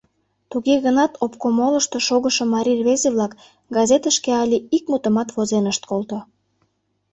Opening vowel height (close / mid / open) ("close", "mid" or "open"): close